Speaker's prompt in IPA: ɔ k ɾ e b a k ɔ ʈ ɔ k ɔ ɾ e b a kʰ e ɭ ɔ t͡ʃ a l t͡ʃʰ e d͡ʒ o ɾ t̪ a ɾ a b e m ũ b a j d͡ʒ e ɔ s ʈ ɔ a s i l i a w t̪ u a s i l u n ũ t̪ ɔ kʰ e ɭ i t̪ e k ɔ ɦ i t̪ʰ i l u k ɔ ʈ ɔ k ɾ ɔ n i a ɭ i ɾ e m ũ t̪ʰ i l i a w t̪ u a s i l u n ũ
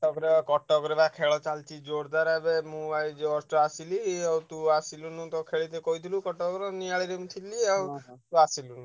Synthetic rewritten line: ɔ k ɾ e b a k ɔ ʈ ɔ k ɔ ɾ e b a kʰ e ɭ ɔ t͡ʃ a l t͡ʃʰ i d͡ʒ o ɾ d̪ a ɾ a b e m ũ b a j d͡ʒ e ɔ s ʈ ɔ a s i l i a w t̪ u a s i l u n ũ t̪ ɔ kʰ e ɭ i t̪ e k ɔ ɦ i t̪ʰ i l u k ɔ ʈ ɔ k ɾ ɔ n i a ɭ i ɾ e m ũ t̪ʰ i l i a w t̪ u a s i l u n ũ

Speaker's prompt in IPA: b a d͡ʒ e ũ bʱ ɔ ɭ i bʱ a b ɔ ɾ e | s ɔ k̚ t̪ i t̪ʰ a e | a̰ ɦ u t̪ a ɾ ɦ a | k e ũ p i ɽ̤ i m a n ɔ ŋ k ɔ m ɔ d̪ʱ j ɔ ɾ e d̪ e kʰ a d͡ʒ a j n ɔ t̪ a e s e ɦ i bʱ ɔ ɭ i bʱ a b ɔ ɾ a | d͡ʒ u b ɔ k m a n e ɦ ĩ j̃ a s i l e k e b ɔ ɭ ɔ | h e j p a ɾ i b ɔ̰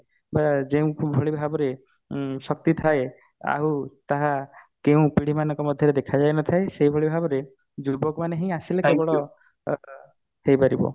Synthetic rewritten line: b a d͡ʒ e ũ bʱ ɔ ɭ i bʱ a b ɔ ɾ e | s ɔ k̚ t̪ i t̪ʰ a e | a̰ ɦ u t̪ a ɦ a | k e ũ p i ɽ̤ i m a n ɔ ŋ k ɔ m ɔ d̪ʱ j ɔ ɾ e d̪ e kʰ a d͡ʒ a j n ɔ t̪ʰ a e s e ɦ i bʱ ɔ ɭ i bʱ a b ɔ ɾ e | d͡ʒ u b ɔ k m a n e ɦ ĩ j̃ a s i l e k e b ɔ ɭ ɔ | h e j p a ɾ i b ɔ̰

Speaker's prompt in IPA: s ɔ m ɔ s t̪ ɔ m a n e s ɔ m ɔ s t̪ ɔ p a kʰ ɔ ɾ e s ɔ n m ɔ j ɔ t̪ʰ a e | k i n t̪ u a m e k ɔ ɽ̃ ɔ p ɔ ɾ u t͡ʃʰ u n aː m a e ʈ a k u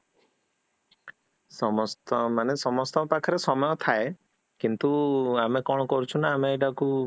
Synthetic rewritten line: s ɔ m ɔ s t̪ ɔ m a n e s ɔ m ɔ s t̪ ɔ p a kʰ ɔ ɾ e s ɔ m ɔ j ɔ t̪ʰ a e | k i n t̪ u a m e k ɔ ɽ̃ ɔ k ɔ ɾ u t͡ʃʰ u n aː m e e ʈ a k u

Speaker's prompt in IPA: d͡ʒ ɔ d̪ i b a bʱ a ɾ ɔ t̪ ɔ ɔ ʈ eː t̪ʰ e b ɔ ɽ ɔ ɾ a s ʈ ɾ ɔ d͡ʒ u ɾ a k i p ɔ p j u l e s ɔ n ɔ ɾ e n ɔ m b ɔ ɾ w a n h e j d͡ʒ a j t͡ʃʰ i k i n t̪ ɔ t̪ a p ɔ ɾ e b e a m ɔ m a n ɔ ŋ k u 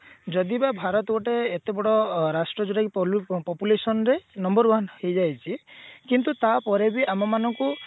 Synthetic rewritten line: d͡ʒ ɔ d̪ i b a bʱ a ɾ ɔ t̪ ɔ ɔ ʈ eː t̪ e b ɔ ɽ ɔ ɾ a s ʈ ɾ ɔ d͡ʒ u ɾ a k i p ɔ p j u l e s ɔ n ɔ ɾ e n ɔ m b ɔ ɾ w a n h e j d͡ʒ a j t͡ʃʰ i k i n t̪ u t̪ a p ɔ ɾ e b i a m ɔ m a n ɔ ŋ k u

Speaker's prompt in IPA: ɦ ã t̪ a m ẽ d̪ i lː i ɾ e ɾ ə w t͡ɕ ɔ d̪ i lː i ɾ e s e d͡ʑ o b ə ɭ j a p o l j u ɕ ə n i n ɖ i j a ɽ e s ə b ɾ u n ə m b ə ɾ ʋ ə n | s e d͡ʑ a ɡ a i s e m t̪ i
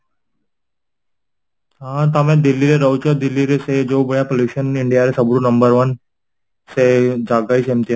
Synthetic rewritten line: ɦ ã t̪ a m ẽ d̪ i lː i ɾ e ɾ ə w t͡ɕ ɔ d̪ i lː i ɾ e s e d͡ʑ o b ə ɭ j a p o l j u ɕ ə n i ɳ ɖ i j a ɾ e s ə b ɾ u n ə m b ə ɾ ʋ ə n | s e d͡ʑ a ɡ a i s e m t̪ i

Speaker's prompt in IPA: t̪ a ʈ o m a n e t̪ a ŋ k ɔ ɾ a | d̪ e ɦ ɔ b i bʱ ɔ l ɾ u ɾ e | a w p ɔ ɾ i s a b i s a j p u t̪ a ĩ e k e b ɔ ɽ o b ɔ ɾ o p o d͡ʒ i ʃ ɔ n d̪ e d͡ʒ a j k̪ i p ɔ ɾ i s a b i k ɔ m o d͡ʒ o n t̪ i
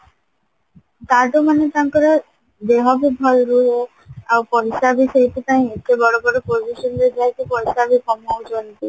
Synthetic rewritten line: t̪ a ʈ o m a n e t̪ a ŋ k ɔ ɾ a | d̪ e ɦ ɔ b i bʱ ɔ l ɾ u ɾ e | a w p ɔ ɾ i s a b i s e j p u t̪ a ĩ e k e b ɔ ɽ o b ɔ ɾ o p o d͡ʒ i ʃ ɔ n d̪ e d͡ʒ a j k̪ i p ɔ ɾ i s a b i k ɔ m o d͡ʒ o n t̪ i

